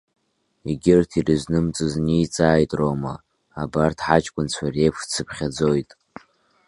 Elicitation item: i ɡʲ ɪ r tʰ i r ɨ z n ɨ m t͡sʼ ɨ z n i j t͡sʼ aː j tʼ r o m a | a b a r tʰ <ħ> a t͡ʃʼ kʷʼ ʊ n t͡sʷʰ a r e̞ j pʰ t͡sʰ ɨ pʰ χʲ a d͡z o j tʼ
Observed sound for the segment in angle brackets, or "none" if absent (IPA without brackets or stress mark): ħ